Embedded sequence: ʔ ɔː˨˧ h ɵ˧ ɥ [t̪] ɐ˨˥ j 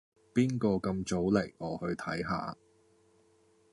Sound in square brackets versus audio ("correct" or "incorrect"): incorrect